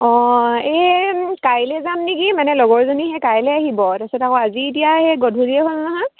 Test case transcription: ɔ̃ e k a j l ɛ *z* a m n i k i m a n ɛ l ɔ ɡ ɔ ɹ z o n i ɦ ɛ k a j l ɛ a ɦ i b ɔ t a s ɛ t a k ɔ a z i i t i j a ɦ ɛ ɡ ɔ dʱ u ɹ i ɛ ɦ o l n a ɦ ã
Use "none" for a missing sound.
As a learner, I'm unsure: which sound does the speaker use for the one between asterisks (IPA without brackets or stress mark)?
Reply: z